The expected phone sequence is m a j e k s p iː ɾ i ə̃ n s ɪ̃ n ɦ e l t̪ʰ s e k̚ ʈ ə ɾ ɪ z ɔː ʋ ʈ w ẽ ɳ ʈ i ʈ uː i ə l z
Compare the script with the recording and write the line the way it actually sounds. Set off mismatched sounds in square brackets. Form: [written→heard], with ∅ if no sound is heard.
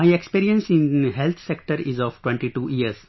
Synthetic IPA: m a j e k s p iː ɾ i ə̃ n s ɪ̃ n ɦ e l t̪ʰ s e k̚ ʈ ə ɾ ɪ z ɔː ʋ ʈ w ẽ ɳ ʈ i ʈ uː i ə [l→ɾ] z